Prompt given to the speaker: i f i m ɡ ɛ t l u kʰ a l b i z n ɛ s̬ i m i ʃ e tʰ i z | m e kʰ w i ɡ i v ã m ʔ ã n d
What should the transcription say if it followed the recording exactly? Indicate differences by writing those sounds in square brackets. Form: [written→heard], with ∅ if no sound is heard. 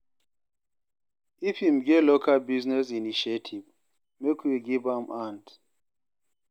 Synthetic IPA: i f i m ɡ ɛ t l [u→o] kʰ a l b i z n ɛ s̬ i [m→n] i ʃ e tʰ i [z→v] | m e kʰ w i ɡ i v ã m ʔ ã n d